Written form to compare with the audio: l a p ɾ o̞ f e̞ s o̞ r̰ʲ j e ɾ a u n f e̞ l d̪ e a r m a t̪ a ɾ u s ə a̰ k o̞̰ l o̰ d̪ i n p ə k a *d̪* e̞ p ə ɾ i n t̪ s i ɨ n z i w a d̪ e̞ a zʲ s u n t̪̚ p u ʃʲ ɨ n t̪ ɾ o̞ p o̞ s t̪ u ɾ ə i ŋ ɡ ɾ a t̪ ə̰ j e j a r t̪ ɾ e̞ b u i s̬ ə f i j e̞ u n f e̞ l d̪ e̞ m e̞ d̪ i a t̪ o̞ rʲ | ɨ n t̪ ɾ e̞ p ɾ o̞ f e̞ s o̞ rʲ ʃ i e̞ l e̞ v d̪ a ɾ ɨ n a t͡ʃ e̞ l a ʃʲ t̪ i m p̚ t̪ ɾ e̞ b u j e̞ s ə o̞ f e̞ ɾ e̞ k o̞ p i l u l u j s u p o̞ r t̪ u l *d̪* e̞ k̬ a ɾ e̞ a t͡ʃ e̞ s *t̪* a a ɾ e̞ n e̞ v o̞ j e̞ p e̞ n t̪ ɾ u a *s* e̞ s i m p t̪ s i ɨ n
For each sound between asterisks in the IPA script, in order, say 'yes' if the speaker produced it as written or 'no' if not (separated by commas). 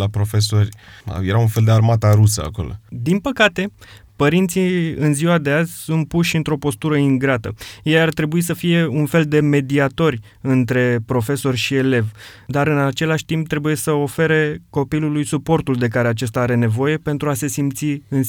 no, yes, yes, yes